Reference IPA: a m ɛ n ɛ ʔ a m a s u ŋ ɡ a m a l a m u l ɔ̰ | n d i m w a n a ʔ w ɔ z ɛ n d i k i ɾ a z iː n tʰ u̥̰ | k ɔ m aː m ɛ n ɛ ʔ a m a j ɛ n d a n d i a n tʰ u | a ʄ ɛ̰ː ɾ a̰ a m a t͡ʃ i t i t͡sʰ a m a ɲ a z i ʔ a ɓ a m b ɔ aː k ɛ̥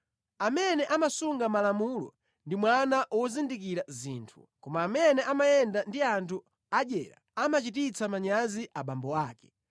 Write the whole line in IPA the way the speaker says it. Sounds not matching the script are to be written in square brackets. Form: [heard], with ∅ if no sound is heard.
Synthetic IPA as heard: a m ɛ n ɛ ʔ a m a s u ŋ ɡ a m a l a m u l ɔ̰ | n d i m w a n a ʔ w ɔ z [i] n d i k i ɾ a z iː n tʰ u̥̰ | k ɔ m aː m ɛ n ɛ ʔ a m a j ɛ n d a n d i a n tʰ u | a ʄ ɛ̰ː ɾ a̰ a m a t͡ʃ i t i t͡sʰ a m a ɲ a z i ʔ a ɓ a m b ɔ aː k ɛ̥